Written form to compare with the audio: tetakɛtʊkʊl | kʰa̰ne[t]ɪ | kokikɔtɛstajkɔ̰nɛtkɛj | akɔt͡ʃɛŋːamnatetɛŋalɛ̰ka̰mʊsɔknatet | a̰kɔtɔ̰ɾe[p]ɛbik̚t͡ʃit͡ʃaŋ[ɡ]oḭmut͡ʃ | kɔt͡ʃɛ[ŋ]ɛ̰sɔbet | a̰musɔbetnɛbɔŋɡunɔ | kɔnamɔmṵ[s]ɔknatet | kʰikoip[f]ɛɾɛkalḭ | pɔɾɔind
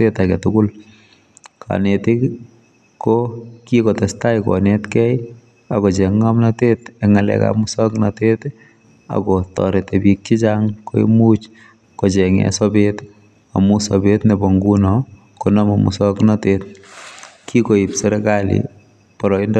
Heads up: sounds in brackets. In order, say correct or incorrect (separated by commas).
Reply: correct, incorrect, incorrect, correct, correct, incorrect